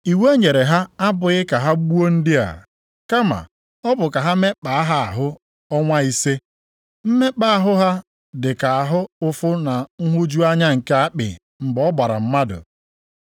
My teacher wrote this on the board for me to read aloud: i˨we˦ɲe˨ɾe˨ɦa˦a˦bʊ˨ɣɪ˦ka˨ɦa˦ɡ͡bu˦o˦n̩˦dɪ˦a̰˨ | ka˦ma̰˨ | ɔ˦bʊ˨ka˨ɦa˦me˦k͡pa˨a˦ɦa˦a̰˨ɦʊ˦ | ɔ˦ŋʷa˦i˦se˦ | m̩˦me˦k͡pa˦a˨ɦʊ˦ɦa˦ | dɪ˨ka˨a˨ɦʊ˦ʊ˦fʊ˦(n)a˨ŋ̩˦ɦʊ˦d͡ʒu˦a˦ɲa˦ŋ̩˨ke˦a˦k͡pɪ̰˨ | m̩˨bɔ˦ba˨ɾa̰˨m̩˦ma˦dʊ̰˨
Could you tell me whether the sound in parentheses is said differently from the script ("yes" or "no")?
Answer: no